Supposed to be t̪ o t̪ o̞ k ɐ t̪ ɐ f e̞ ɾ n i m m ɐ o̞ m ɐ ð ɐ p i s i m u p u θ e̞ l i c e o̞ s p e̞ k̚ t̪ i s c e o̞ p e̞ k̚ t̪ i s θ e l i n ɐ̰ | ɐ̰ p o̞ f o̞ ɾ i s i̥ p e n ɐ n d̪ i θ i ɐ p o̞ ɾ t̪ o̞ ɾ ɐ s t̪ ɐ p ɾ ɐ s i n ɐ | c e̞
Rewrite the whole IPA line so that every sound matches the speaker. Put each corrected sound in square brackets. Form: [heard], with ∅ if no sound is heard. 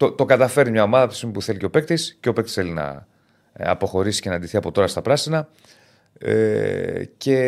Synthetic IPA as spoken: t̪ o t̪ o̞ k ɐ t̪ ɐ f e̞ ɾ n i m [ɲ] ɐ o̞ m ɐ ð ɐ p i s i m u p u θ e̞ l i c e o̞ [∅] p e̞ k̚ t̪ i s c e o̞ p e̞ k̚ t̪ i s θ e l i n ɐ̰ | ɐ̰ p o̞ [x] o̞ ɾ i s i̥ [c] e n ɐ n d̪ i θ i ɐ p o̞ [∅] t̪ o̞ ɾ ɐ s t̪ ɐ p ɾ ɐ s i n ɐ | c e̞